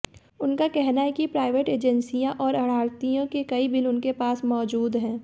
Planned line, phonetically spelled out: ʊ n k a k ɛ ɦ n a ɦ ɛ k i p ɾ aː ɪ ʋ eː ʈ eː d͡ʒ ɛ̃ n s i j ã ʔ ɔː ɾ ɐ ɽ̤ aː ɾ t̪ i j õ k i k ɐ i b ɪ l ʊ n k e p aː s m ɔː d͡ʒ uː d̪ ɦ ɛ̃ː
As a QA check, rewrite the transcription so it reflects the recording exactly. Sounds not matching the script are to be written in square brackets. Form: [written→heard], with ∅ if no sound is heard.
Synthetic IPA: ʊ n k a k ɛ ɦ n a ɦ ɛ k i p ɾ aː ɪ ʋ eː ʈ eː d͡ʒ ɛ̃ n s i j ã ʔ ɔː ɾ ɐ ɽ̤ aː ɾ t̪ i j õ k [i→e] k ɐ i b ɪ l ʊ n k e p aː s m ɔː d͡ʒ uː d̪ ɦ ɛ̃ː

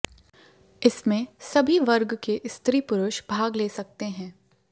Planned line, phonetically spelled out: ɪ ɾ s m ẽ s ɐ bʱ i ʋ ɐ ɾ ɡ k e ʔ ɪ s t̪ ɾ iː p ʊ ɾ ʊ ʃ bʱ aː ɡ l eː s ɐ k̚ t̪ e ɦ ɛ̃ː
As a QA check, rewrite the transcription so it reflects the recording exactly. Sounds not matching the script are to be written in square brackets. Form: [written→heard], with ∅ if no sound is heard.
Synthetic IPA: ɪ [ɾ→∅] s m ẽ s ɐ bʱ i ʋ ɐ ɾ ɡ k e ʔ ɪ s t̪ ɾ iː p ʊ ɾ ʊ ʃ bʱ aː ɡ l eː s ɐ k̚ t̪ e ɦ ɛ̃ː

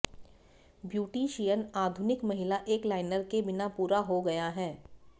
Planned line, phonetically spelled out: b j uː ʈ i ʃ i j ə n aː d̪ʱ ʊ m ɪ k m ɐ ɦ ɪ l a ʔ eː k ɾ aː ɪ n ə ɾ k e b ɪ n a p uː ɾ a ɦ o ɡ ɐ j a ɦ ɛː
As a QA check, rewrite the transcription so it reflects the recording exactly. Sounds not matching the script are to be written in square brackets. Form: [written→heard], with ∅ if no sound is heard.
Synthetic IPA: b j uː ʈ i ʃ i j ə n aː d̪ʱ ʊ [m→n] ɪ k m ɐ ɦ ɪ l a ʔ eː k [ɾ→l] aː ɪ n ə ɾ k e b ɪ n a p uː ɾ a ɦ o ɡ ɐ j a ɦ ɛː

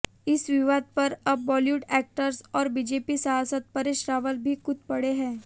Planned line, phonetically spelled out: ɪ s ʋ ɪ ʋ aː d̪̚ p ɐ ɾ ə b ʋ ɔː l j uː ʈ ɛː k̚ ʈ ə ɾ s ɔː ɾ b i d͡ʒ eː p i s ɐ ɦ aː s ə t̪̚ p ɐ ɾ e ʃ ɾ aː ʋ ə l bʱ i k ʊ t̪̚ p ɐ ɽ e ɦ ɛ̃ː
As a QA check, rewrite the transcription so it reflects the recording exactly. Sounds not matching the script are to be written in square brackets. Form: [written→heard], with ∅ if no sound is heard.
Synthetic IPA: ɪ s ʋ ɪ ʋ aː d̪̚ p ɐ ɾ [ə→ɐ] b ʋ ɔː l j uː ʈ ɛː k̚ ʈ ə ɾ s ɔː ɾ b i d͡ʒ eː p i s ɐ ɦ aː s ə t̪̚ p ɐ ɾ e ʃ ɾ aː ʋ ə l bʱ i k ʊ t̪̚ p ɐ ɽ e ɦ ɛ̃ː

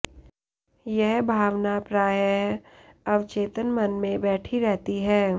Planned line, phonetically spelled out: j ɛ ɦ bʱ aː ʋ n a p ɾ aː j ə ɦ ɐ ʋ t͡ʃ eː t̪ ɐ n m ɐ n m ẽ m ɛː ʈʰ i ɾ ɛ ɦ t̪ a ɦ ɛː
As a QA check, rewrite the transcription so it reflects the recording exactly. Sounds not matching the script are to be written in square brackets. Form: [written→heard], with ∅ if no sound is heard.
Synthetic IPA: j ɛ ɦ bʱ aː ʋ n a p ɾ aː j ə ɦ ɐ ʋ t͡ʃ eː t̪ [ɐ→ə] n m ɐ n m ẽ [m→b] ɛː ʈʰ i ɾ ɛ ɦ t̪ [a→i] ɦ ɛː

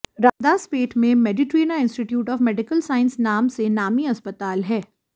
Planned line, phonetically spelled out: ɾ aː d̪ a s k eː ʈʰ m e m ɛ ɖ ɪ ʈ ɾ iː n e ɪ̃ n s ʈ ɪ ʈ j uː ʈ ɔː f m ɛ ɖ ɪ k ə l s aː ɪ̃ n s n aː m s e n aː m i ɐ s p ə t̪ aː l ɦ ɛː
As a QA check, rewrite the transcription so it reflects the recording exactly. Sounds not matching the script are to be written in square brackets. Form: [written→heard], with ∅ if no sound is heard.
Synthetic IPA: ɾ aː d̪ a s [k→p] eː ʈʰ m [e→ẽ] m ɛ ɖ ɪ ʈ ɾ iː n [e→a] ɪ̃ n s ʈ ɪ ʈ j uː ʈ ɔː f m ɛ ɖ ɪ k ə l s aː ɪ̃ n s n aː m s e n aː m i ɐ s p ə t̪ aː l ɦ ɛː

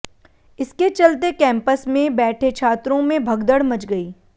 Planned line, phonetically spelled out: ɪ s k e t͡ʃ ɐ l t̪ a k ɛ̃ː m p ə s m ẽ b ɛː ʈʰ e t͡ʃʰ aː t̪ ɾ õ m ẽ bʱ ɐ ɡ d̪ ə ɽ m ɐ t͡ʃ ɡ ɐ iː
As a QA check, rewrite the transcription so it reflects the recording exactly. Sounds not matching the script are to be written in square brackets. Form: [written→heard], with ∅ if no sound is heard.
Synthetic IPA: ɪ s k e t͡ʃ ɐ l t̪ [a→e] k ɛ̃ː m p ə s m ẽ b ɛː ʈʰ e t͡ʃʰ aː t̪ ɾ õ m ẽ bʱ ɐ ɡ d̪ ə ɽ m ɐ t͡ʃ ɡ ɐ iː

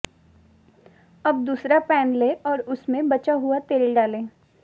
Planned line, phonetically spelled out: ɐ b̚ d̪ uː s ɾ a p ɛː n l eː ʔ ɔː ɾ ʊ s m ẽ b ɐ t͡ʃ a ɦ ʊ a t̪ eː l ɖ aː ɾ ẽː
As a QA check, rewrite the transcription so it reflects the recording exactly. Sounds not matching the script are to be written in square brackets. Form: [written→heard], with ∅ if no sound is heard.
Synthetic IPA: ɐ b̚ d̪ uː s ɾ a p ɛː n l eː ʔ ɔː ɾ ʊ s m ẽ b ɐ t͡ʃ a ɦ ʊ a t̪ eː l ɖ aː [ɾ→l] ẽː

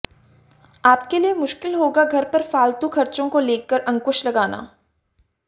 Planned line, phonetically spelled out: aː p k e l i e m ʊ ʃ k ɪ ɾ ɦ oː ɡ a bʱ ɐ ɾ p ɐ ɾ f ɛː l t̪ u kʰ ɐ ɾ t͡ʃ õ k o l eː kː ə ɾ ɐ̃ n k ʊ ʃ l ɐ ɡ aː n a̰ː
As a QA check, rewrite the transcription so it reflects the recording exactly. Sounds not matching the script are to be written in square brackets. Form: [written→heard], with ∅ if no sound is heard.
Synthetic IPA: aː p k e l i e m ʊ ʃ k ɪ [ɾ→l] ɦ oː ɡ a [bʱ→ɡʱ] ɐ ɾ p ɐ ɾ f [ɛː→aː] l t̪ u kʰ ɐ ɾ t͡ʃ õ k o l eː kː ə ɾ ɐ̃ [n→ŋ] k ʊ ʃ l ɐ ɡ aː n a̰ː

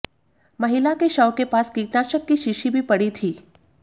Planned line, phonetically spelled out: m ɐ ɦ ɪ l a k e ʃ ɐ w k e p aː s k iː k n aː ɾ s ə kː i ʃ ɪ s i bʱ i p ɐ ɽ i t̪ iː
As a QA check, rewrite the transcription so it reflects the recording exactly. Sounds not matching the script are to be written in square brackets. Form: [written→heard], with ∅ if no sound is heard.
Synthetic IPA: m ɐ ɦ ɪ l a k e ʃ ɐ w k e p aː s k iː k n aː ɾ [s→ʃ] ə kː i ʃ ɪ [s→ʃ] i bʱ i p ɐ ɽ i [t̪→t̪ʰ] iː

